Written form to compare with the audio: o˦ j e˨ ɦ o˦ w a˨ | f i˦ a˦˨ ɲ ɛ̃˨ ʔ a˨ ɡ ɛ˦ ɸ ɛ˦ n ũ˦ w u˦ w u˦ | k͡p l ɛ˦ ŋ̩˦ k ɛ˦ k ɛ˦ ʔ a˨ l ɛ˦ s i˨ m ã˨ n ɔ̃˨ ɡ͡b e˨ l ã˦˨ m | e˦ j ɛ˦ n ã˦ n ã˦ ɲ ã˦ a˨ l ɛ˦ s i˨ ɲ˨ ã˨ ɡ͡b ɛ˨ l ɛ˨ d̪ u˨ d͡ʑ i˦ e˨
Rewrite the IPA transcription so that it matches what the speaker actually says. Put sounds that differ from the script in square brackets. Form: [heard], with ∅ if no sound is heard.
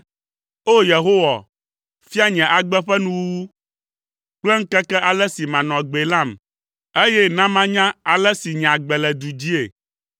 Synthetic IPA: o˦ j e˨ ɦ o˦ w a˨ | f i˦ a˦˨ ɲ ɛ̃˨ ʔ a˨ [ɡ͡b] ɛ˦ ɸ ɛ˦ n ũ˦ w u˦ w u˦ | k͡p l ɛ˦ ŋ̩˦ k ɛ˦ k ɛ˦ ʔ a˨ l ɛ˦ s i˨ m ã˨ n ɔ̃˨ ɡ͡b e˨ l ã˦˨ m | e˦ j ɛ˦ n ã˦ [m] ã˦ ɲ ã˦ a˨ l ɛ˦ s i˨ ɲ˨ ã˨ ɡ͡b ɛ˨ l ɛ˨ d̪ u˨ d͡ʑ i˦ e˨